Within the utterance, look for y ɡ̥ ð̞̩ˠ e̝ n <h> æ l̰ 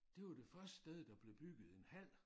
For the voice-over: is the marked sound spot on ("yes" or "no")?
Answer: yes